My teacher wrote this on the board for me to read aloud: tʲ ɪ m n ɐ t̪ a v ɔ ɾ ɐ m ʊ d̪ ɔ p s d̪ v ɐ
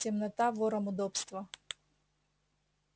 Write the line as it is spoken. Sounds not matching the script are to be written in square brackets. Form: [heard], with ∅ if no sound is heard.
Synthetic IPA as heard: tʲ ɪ m n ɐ t̪ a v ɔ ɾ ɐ m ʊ d̪ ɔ p s [t̪] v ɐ